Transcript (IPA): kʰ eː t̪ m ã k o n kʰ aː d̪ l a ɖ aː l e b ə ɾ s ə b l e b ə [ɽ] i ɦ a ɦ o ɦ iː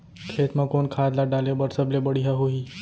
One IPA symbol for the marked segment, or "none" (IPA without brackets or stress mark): ɽ